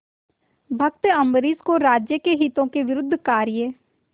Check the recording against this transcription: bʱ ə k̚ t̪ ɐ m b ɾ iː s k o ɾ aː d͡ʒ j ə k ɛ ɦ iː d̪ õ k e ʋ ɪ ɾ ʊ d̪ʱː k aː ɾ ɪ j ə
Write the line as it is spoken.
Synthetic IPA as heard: bʱ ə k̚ t̪ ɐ m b ɾ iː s k o ɾ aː d͡ʒ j ə k e ɦ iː t̪ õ k e ʋ ɪ ɾ ʊ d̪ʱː k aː ɾ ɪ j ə